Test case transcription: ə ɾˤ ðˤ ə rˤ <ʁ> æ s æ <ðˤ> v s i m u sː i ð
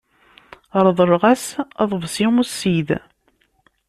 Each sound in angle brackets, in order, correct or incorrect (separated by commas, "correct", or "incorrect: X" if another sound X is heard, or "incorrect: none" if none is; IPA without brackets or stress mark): correct, correct